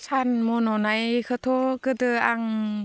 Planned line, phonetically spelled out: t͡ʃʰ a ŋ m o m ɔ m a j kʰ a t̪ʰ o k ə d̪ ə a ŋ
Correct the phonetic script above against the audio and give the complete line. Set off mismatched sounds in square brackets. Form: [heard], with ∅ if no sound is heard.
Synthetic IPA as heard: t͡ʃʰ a [n] m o [n] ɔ [n] a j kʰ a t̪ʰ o k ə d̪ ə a ŋ